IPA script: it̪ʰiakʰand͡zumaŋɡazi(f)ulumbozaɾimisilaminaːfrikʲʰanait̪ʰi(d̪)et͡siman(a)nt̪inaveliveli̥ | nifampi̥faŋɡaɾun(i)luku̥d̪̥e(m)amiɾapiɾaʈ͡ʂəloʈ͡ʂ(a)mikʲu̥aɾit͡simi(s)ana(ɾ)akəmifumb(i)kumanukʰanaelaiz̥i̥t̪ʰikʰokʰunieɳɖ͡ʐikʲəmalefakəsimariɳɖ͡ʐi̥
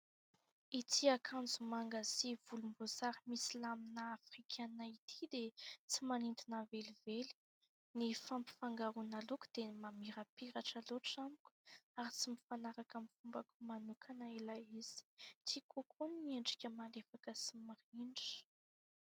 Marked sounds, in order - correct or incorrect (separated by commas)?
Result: incorrect, correct, incorrect, incorrect, correct, correct, incorrect, correct, incorrect